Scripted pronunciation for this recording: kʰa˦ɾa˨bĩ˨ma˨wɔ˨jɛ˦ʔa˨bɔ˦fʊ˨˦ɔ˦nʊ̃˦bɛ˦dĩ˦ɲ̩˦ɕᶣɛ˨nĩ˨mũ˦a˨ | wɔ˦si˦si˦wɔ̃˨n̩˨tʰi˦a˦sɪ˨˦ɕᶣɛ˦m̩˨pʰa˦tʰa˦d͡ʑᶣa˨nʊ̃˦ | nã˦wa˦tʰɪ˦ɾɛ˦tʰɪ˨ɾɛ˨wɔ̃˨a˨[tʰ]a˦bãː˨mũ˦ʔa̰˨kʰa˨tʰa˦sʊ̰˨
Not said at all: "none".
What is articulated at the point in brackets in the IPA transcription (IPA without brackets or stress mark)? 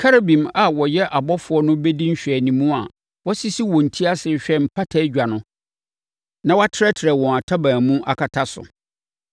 tʰ